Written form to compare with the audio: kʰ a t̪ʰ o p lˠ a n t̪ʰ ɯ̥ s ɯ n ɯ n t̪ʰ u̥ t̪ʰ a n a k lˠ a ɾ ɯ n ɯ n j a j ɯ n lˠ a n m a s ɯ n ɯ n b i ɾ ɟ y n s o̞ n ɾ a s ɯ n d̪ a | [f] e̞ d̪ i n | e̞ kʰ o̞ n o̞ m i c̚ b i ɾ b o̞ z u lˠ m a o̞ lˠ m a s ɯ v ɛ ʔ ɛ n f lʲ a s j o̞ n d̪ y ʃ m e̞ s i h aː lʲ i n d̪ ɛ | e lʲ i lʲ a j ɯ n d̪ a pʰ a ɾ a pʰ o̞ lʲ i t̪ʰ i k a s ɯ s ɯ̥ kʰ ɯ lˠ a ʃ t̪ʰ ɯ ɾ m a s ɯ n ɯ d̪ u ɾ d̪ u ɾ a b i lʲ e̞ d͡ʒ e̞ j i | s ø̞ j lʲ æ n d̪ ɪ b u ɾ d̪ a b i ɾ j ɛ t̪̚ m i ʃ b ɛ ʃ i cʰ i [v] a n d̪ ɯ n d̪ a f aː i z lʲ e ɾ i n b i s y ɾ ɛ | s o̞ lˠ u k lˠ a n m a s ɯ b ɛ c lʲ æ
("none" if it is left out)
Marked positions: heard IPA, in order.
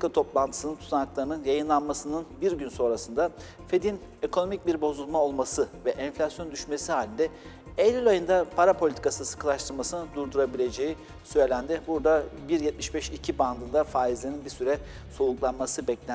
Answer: f, b

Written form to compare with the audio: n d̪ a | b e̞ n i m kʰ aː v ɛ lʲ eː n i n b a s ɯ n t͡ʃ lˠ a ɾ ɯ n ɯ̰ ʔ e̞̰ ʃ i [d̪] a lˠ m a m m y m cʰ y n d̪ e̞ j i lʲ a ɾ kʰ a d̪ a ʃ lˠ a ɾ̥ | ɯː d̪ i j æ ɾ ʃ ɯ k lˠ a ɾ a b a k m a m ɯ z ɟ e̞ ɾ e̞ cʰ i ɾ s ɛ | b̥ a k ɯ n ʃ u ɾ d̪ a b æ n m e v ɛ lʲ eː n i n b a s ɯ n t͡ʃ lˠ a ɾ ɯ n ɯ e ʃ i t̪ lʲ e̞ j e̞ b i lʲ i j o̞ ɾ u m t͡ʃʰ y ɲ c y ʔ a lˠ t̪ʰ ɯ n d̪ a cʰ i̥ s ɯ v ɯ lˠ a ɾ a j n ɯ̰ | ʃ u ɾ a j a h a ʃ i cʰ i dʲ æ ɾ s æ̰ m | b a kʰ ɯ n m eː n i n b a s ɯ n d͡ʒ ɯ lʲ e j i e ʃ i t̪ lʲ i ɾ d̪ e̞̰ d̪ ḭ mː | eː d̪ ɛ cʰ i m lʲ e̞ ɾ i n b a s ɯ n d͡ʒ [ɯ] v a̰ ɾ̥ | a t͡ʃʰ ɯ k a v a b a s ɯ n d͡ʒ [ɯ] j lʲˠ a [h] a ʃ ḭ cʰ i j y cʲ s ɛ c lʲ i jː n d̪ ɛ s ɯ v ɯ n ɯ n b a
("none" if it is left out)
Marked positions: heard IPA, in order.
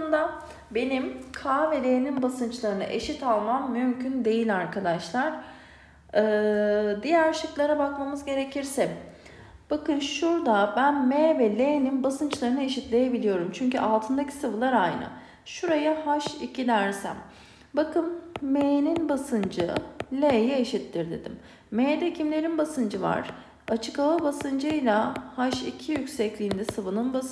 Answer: t̪, ɯ, ɯ, h

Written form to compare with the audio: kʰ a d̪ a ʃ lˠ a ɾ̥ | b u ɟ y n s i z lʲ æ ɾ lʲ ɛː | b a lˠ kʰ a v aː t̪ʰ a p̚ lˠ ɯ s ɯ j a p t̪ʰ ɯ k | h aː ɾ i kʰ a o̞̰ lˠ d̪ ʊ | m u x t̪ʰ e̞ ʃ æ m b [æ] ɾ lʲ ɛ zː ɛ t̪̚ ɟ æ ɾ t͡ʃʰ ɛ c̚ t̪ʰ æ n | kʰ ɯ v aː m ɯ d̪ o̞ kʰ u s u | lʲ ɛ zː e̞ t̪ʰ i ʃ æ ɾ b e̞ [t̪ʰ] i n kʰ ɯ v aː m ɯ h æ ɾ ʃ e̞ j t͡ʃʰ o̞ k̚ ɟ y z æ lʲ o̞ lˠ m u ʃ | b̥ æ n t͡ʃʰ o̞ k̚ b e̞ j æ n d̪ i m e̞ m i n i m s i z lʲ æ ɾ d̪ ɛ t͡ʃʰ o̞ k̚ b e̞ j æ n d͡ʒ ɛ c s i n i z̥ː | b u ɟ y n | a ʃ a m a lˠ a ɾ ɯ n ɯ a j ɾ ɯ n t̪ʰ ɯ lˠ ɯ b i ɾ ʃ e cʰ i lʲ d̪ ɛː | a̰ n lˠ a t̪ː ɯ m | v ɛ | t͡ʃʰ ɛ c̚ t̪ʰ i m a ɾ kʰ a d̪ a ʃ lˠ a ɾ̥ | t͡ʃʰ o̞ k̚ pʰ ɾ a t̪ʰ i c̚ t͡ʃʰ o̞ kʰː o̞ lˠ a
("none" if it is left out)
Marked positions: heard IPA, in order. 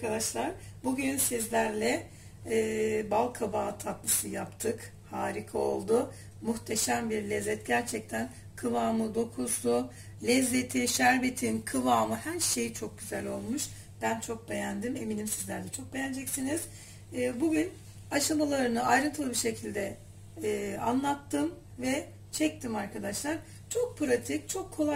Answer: i, t̪ʰ

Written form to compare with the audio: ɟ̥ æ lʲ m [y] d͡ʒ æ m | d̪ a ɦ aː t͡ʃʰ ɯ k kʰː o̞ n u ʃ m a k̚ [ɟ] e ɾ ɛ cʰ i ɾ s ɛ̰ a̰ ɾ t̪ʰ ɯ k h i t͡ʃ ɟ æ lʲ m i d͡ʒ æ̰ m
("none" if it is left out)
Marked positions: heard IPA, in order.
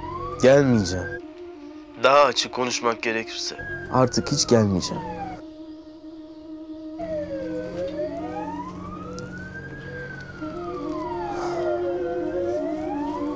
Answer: i, ɟ

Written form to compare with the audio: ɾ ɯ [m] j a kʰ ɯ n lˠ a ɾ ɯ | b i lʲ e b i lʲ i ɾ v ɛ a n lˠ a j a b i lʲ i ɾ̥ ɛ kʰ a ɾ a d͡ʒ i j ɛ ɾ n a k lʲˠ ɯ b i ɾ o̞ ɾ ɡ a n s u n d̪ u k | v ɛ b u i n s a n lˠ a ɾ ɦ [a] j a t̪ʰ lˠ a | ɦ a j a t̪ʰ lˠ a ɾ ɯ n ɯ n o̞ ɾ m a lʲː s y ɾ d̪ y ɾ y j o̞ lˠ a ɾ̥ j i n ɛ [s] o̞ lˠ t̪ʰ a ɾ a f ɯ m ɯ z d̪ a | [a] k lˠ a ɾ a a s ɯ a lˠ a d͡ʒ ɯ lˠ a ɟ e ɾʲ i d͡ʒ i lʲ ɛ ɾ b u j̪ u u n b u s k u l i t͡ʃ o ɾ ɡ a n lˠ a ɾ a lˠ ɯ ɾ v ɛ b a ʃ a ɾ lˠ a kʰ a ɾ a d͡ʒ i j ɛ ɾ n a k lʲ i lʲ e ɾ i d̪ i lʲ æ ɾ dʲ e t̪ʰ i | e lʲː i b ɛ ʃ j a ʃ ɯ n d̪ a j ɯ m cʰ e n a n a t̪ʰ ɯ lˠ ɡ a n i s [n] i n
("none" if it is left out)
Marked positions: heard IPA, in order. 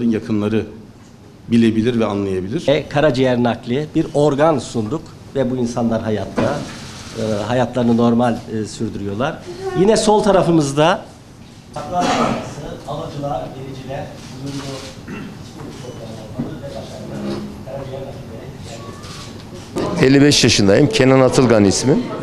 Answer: n, a, s, a, m

